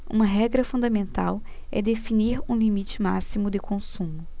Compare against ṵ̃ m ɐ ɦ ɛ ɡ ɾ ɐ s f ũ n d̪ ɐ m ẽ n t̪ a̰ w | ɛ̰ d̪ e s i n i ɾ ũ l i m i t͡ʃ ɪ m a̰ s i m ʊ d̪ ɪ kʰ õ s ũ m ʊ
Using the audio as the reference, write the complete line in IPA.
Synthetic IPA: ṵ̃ m ɐ ɦ ɛ ɡ ɾ ɐ f ũ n d̪ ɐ m ẽ n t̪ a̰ w | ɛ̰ d̪ e f i n i ɾ ũ l i m i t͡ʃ ɪ m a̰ s i m ʊ d̪ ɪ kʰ õ s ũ m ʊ